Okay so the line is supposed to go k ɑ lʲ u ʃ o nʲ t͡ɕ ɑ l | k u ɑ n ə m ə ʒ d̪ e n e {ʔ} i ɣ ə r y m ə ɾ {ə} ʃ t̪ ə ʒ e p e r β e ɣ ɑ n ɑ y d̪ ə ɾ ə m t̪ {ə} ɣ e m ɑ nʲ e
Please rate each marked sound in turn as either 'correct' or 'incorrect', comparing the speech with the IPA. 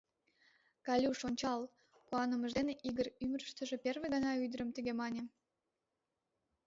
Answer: correct, correct, correct

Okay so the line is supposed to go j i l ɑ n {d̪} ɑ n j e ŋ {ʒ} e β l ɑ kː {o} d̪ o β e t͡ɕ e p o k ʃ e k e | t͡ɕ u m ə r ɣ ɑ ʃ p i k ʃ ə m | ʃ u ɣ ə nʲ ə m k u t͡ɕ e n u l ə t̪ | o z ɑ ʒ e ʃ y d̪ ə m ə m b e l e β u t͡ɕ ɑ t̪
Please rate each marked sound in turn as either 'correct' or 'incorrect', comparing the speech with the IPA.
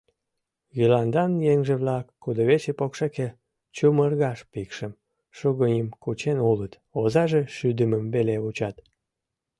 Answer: correct, correct, incorrect

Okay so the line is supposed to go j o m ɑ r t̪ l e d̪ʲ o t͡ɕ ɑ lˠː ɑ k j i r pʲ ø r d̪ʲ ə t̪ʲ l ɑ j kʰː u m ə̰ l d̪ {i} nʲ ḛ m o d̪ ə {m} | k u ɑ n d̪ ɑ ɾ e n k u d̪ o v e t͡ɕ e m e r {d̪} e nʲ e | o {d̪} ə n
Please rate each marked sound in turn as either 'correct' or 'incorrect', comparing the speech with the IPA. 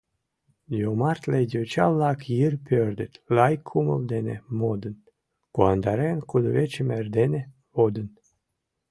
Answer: incorrect, incorrect, correct, correct

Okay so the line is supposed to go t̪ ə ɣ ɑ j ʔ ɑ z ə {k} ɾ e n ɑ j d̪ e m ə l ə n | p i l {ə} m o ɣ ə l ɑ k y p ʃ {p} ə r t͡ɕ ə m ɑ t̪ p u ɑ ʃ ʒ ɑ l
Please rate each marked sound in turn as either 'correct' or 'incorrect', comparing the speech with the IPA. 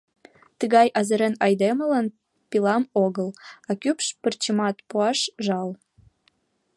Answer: incorrect, incorrect, correct

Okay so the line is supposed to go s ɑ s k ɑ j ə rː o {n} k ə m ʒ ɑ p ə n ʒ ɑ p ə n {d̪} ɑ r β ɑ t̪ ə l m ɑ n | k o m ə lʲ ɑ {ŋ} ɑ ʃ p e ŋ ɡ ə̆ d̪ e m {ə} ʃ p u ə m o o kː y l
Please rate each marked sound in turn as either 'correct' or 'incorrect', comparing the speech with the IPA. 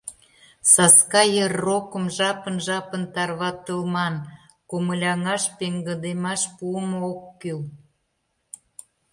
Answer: incorrect, incorrect, correct, incorrect

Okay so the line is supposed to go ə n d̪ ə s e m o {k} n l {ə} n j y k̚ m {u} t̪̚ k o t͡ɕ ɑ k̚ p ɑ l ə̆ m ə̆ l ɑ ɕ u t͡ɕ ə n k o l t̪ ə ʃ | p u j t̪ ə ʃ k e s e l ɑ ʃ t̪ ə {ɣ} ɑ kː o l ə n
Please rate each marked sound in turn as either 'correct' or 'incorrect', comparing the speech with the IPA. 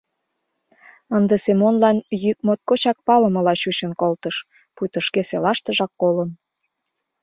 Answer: incorrect, incorrect, incorrect, incorrect

